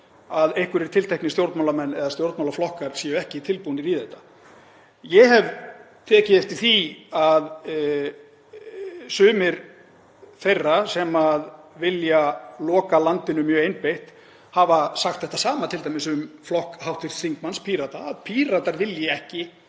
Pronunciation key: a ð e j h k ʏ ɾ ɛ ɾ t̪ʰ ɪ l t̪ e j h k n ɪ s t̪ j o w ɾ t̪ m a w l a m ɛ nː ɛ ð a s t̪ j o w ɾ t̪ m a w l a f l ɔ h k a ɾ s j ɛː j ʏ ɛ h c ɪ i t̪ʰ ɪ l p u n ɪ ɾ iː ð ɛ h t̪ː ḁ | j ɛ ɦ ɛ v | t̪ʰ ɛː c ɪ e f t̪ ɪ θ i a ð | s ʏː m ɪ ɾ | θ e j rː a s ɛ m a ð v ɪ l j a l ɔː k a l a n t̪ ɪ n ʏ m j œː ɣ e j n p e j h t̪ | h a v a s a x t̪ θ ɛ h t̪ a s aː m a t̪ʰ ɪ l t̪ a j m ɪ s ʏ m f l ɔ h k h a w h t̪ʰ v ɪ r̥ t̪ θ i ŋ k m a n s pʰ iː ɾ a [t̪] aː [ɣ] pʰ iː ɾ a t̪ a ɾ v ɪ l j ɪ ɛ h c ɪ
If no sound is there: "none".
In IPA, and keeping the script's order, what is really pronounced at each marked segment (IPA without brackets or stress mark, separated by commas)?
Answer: t̪, ð